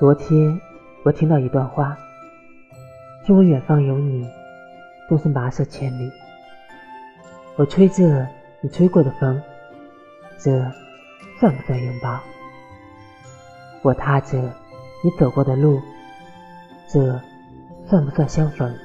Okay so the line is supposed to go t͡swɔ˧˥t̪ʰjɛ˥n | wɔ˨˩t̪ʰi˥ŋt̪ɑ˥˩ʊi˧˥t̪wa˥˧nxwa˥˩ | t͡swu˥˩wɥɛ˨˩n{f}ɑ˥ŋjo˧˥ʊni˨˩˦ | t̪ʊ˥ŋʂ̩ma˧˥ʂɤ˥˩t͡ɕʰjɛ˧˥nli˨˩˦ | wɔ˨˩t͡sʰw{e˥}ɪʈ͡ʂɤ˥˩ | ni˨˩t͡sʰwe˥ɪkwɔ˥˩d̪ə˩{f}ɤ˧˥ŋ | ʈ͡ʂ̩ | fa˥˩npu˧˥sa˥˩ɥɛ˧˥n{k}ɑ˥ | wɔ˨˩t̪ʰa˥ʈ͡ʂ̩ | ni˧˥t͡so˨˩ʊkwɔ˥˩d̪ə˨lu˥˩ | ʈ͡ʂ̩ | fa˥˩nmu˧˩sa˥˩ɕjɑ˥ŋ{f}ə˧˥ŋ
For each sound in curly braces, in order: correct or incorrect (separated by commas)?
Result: correct, correct, correct, incorrect, correct